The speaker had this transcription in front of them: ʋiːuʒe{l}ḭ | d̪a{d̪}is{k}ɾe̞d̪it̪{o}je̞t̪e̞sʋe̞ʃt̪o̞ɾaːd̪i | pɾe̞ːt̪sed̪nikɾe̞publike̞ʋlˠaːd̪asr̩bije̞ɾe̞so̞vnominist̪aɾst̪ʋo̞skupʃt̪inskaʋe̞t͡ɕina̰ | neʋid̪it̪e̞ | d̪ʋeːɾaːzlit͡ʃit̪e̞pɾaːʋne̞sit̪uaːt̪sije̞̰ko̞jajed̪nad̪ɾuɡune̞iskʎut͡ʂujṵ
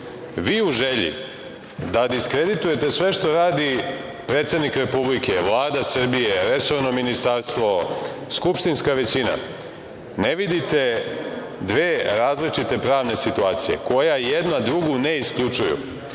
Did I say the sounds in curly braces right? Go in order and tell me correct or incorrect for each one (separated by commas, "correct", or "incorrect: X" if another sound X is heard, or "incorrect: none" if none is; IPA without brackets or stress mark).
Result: incorrect: ʎ, correct, correct, incorrect: u